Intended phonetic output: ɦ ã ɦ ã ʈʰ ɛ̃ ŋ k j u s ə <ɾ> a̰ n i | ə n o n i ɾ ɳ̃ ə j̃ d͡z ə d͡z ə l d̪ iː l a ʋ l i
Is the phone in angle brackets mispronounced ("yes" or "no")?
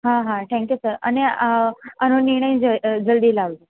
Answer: no